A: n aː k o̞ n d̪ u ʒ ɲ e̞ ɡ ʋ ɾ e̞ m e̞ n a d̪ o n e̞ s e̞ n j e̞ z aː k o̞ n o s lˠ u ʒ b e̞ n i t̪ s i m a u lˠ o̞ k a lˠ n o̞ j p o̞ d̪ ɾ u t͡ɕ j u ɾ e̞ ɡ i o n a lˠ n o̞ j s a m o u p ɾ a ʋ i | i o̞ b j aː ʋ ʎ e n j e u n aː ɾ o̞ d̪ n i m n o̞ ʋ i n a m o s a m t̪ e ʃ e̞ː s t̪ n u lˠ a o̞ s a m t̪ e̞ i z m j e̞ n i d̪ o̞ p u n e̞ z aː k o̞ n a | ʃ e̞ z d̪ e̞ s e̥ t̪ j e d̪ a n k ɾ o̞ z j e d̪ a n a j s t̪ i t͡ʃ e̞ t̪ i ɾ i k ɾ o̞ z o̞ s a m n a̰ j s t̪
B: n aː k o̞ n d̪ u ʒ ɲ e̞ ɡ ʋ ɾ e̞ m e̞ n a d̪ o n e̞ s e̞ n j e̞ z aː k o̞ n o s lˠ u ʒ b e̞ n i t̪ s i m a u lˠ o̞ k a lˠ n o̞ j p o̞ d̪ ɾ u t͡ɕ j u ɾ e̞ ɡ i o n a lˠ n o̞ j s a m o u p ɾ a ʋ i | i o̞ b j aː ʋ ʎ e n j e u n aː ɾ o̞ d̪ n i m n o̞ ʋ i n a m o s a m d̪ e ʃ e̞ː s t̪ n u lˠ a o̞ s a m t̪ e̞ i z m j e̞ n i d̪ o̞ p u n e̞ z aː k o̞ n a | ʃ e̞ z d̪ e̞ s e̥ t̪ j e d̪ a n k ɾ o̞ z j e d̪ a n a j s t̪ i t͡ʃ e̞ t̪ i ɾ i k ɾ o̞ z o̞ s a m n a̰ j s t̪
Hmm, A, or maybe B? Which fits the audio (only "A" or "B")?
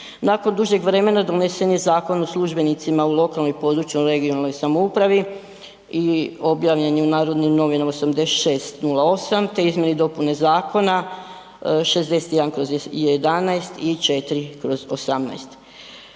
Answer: B